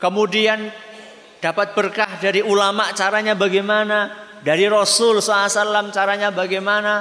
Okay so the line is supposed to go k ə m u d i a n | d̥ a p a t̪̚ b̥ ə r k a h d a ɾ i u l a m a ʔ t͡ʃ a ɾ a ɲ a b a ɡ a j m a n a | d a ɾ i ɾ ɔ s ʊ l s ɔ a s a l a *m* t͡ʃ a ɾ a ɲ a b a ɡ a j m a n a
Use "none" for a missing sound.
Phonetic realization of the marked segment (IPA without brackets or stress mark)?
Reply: m